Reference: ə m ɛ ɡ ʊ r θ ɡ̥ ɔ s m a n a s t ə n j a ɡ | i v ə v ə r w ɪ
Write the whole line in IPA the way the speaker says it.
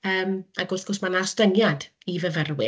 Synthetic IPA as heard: əː m a ɡ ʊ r θ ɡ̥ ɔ s m a n a s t ə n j a d | i v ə v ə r w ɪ